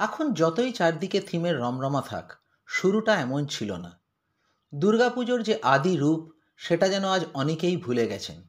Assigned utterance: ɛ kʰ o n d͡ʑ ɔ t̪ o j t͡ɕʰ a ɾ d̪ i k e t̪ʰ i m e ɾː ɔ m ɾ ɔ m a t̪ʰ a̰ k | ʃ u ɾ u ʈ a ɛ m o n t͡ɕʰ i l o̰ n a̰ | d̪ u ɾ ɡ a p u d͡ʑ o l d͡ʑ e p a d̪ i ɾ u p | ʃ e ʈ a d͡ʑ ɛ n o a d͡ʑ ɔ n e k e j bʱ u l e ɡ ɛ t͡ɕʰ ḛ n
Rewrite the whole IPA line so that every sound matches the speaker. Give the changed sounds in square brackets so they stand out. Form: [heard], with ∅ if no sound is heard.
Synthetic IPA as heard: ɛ kʰ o n d͡ʑ ɔ t̪ o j [t͡ɕ] a ɾ d̪ i k e t̪ʰ i m e ɾː ɔ m ɾ ɔ m a t̪ʰ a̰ k | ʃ u ɾ u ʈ a ɛ m o n t͡ɕʰ i l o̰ n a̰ | d̪ u ɾ ɡ a p u d͡ʑ o [ɾ] d͡ʑ e [ʔ] a d̪ i ɾ u p | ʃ e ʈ a d͡ʑ ɛ n o a d͡ʑ ɔ n e k e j bʱ u l e ɡ ɛ t͡ɕʰ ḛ n